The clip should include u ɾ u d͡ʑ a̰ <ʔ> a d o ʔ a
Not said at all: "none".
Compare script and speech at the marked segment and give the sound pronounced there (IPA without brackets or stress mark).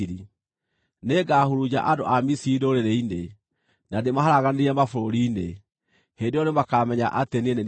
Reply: ʔ